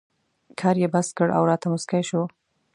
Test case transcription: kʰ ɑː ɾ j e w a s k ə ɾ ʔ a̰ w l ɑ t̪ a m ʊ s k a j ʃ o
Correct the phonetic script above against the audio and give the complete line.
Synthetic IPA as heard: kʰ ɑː ɾ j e b a s k ə ɽ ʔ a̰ w ɾ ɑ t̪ a m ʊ s k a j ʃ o